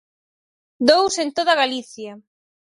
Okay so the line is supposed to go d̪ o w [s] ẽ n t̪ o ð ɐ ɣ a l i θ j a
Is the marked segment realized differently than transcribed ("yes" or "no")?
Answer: no